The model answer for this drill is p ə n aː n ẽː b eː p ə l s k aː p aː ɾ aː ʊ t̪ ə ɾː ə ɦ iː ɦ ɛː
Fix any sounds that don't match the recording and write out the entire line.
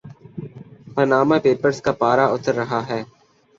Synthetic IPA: p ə n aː m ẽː p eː p ə ɾ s k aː p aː ɾ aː ʊ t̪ ə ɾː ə ɦ aː ɦ ɛː